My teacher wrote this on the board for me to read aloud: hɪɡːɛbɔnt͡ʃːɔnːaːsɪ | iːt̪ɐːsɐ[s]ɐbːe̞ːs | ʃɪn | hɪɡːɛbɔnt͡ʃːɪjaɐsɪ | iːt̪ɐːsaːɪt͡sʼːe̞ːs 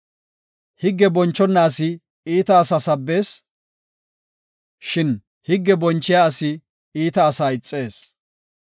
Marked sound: correct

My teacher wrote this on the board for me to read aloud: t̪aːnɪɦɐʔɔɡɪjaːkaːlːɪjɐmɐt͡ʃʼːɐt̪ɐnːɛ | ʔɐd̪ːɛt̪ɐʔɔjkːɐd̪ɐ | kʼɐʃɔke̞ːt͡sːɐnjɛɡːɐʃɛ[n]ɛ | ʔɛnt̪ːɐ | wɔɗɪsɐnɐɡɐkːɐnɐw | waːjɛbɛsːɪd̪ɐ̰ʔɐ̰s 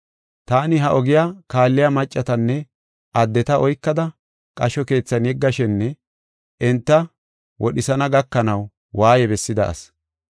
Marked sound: incorrect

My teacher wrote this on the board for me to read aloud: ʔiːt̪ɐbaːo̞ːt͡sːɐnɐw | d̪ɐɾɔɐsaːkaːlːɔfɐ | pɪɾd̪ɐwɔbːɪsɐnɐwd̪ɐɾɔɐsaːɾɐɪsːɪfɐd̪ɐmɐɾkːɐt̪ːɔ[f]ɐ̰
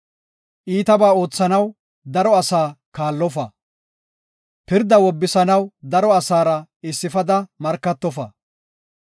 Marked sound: correct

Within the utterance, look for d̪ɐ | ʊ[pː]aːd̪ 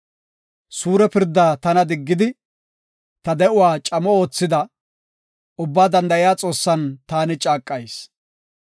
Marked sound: incorrect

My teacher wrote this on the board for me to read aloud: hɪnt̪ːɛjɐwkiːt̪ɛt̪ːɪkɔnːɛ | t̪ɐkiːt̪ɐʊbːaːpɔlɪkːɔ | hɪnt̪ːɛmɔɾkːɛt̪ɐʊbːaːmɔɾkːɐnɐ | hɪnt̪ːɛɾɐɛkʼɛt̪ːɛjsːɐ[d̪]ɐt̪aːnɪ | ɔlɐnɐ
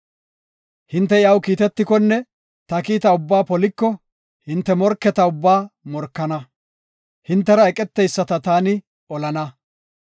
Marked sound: incorrect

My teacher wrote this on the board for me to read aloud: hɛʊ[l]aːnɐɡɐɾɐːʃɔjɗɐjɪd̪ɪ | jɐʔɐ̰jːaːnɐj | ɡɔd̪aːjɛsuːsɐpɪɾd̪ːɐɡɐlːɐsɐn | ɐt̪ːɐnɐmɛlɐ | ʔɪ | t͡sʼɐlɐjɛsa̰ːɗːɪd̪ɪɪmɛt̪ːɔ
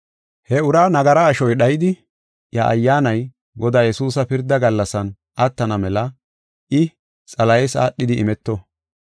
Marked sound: incorrect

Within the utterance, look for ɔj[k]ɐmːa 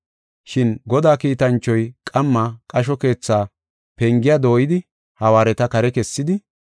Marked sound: incorrect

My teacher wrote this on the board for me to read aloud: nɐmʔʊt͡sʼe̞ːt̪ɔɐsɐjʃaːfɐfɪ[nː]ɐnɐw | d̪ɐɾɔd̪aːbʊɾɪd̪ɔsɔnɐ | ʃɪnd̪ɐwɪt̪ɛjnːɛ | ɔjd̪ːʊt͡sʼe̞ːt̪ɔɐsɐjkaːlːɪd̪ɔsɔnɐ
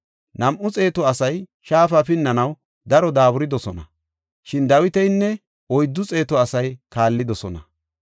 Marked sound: correct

